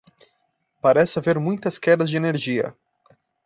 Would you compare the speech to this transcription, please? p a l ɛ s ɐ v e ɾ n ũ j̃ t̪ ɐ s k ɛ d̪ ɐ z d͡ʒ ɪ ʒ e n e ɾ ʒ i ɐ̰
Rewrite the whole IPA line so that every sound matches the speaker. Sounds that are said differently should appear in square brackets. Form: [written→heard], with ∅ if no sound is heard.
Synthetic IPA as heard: p a [l→ɾ] ɛ s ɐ v e ɾ [n→m] ũ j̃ t̪ ɐ s k ɛ d̪ ɐ z d͡ʒ ɪ [ʒ→∅] e n e ɾ ʒ i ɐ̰

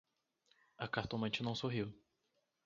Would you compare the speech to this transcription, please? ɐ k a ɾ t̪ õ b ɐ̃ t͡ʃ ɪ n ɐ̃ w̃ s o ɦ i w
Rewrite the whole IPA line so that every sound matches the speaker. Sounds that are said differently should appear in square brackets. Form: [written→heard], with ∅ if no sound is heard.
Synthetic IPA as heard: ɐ k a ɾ t̪ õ [b→m] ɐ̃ t͡ʃ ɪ n ɐ̃ w̃ s o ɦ i w

